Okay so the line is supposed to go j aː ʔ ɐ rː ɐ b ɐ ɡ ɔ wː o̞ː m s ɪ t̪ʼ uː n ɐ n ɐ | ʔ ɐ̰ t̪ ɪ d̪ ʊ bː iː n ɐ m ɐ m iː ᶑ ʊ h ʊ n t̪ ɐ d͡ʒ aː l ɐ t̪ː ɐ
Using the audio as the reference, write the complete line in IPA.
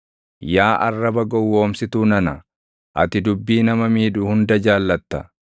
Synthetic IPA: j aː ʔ ɐ rː ɐ b ɐ ɡ ɔ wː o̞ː m s ɪ t̪ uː n ɐ n ɐ | ʔ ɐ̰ t̪ ɪ d̪ ʊ bː iː n ɐ m ɐ m iː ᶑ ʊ h ʊ n d̪ ɐ d͡ʒ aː lː ɐ t̪ː ɐ

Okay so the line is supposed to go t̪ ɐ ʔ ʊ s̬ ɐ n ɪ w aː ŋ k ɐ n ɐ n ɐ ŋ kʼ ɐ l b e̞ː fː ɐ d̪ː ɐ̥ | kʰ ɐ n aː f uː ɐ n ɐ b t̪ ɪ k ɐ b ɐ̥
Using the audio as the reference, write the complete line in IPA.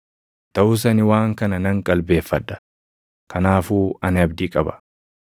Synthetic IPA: t̪ ɐ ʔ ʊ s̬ ɐ n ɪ w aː ŋ k ɐ n ɐ n ɐ ŋ kʼ ɐ l b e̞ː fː ɐ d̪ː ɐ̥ | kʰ ɐ n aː f uː ɐ n ɐ b d̪ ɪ kʼ ɐ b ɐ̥

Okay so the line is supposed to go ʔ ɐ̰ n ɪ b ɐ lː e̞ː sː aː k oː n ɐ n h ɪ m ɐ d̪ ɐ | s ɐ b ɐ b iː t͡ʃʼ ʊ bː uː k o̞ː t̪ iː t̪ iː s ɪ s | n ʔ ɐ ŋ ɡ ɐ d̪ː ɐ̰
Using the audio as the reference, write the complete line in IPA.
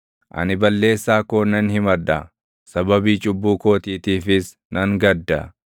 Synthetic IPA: ʔ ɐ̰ n ɪ b ɐ lː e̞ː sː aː k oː n ɐ n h ɪ m ɐ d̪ ɐ | s ɐ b ɐ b iː t͡ʃʼ ʊ bː uː k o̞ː t̪ iː t̪ iː f ɪ s | n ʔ ɐ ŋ ɡ ɐ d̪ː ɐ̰

